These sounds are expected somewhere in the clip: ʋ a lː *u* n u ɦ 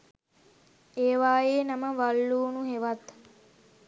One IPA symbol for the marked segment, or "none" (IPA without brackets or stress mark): uː